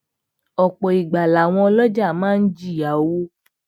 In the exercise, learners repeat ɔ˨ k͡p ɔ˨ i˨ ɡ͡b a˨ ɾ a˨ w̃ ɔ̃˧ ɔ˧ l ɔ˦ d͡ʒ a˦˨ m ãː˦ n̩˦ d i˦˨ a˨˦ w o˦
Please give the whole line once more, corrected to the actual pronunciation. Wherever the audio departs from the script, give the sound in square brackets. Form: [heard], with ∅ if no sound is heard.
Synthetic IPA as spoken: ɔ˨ k͡p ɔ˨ i˨ ɡ͡b a˨ [l] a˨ w̃ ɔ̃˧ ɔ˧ l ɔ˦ d͡ʒ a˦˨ m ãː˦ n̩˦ [d͡ʒ] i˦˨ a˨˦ w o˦